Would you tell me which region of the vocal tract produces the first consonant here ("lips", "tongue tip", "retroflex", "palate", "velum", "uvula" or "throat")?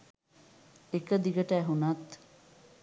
velum